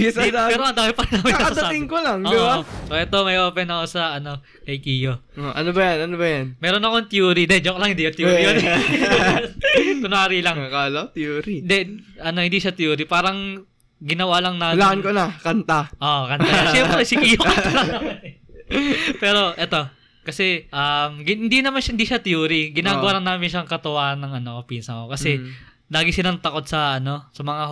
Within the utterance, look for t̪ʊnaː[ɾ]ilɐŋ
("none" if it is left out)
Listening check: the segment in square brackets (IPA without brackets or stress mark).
ɾ